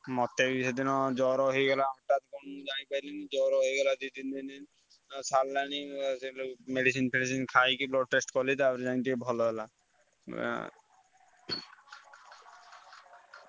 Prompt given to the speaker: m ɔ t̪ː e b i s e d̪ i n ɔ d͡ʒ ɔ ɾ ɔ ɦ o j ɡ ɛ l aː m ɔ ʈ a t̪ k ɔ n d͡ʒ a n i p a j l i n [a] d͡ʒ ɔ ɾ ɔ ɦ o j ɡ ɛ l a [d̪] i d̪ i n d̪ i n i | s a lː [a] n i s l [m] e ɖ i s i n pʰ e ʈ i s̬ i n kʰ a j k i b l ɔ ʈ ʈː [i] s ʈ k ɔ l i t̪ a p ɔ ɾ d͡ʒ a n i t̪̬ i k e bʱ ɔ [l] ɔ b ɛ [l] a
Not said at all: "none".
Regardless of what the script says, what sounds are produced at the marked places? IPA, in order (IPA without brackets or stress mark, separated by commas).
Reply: i, d̪, a, m, e, l, l